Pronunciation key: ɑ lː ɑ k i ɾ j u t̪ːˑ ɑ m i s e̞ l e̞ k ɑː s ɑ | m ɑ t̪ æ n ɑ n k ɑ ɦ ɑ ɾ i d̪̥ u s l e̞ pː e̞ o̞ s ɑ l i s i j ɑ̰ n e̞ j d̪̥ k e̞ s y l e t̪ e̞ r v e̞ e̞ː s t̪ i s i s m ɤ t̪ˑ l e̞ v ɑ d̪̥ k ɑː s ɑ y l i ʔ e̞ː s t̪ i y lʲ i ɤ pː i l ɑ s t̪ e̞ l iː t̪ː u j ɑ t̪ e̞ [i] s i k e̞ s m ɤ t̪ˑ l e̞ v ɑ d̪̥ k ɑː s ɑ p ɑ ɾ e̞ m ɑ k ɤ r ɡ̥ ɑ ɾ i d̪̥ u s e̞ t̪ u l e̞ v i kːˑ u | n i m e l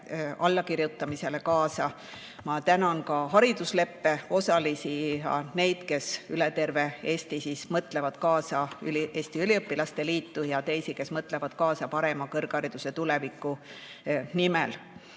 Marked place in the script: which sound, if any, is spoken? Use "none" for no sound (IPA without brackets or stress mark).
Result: j